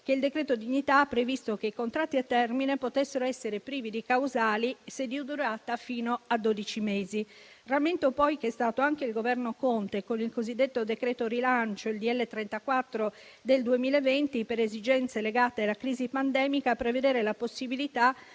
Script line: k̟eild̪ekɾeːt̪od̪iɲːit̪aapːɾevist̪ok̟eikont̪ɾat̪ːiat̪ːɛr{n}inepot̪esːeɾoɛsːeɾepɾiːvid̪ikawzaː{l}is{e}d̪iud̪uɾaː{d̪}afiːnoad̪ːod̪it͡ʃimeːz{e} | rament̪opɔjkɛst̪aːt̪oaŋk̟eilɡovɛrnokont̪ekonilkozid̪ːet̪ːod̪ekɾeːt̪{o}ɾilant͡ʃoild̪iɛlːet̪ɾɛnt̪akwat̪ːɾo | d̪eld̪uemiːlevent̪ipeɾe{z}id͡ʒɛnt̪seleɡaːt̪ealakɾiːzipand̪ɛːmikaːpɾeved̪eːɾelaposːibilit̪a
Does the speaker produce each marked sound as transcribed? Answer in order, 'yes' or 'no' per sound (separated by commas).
no, yes, yes, no, no, yes, yes